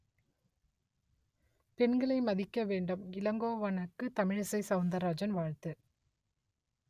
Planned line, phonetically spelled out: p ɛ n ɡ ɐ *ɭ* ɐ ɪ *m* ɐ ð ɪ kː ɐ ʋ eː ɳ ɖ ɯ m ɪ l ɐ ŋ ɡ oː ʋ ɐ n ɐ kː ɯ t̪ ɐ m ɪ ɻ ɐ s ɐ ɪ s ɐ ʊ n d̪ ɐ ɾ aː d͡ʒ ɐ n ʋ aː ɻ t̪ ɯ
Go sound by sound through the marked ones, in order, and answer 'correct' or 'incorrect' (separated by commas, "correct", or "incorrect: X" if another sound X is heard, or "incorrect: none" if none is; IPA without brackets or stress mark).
correct, correct